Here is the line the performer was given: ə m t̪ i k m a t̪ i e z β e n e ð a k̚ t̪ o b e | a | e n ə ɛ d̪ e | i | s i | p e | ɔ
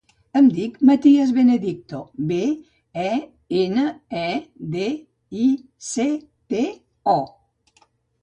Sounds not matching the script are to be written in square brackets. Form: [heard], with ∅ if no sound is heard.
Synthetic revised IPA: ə m [d̪] i k m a t̪ i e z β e n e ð [i] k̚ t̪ o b e | [ɛ] | e n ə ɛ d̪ e | i | s [e] | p e | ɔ